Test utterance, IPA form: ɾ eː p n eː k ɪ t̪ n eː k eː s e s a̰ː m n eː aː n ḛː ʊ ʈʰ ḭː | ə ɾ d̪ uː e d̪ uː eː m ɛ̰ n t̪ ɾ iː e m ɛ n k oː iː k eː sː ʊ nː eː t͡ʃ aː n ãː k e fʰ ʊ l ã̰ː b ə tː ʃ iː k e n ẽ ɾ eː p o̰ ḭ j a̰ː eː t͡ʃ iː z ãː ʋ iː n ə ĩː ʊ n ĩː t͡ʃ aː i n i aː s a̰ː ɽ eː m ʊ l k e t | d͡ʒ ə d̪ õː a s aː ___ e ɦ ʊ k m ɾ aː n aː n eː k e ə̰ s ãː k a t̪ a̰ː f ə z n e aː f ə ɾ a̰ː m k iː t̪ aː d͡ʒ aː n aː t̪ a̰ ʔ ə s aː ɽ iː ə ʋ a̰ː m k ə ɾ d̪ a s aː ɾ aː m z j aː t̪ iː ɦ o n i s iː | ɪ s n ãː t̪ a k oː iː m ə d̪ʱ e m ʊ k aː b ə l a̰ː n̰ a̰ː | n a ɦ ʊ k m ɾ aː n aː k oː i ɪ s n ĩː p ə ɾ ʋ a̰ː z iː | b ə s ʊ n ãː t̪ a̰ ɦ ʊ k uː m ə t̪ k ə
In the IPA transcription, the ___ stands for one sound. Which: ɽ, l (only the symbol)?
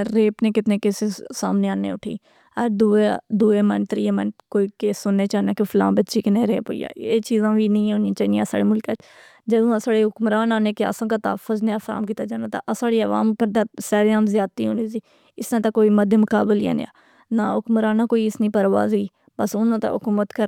ɽ